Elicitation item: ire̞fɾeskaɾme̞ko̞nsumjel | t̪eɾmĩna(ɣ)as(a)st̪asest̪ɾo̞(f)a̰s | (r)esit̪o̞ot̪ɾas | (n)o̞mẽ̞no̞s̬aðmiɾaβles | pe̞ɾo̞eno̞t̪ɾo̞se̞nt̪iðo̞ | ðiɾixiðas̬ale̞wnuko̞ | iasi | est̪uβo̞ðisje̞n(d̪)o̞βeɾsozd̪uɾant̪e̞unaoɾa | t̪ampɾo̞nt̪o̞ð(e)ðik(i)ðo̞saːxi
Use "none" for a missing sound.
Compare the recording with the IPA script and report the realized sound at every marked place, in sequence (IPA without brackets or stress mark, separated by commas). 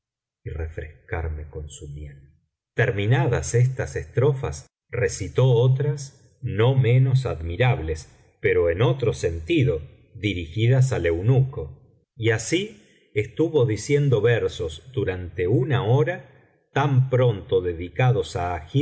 ð, e, f, r, n, d̪, e, a